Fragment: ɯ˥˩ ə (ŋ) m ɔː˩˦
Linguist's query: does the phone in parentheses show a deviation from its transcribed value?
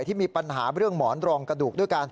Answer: no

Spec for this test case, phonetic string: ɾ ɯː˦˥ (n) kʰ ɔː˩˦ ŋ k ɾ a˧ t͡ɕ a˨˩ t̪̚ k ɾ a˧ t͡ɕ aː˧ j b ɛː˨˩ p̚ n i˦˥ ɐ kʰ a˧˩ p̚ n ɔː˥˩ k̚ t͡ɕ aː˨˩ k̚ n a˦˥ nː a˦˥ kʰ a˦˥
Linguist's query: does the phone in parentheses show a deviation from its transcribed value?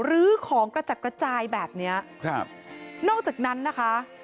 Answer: yes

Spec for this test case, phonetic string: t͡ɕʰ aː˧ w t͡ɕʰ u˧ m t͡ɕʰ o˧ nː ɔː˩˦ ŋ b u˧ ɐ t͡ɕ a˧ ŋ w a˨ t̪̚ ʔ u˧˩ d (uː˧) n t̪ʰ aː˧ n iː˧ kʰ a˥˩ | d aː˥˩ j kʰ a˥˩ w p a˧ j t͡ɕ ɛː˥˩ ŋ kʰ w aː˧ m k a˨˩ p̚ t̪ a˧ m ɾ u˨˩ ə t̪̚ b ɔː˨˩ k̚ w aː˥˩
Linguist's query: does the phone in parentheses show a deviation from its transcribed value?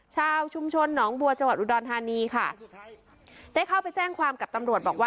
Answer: yes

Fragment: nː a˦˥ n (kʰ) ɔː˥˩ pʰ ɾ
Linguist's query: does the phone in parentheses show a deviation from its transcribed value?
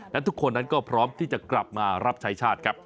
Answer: yes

